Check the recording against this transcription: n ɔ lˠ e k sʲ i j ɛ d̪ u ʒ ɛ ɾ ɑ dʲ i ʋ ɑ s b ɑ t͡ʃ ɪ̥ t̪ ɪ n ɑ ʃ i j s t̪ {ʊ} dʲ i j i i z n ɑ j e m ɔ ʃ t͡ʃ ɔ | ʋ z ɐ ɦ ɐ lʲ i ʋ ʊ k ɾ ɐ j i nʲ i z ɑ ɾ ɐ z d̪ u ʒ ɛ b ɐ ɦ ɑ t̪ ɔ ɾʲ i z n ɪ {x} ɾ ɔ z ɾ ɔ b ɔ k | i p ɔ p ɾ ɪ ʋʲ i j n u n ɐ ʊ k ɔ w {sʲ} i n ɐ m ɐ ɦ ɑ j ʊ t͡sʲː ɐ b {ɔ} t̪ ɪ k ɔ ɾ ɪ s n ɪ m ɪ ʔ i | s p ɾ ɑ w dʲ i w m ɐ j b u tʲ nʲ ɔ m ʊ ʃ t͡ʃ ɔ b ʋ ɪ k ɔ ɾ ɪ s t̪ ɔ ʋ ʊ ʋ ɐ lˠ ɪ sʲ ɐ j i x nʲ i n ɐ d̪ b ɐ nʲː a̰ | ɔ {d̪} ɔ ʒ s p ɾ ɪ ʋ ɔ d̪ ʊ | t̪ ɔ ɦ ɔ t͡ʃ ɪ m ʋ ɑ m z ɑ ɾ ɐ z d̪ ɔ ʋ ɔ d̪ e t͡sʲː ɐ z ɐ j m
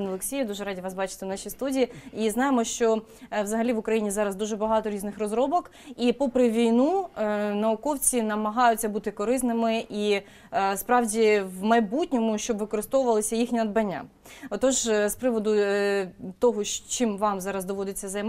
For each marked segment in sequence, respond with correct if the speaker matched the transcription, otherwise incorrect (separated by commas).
incorrect, correct, incorrect, incorrect, incorrect